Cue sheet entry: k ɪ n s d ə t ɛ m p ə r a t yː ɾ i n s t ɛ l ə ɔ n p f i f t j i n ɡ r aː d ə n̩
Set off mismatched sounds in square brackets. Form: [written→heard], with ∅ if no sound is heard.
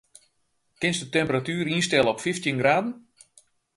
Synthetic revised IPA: k ɪ n s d ə t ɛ m p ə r a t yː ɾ i n s t ɛ l ə ɔ [n→∅] p f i f t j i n ɡ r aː d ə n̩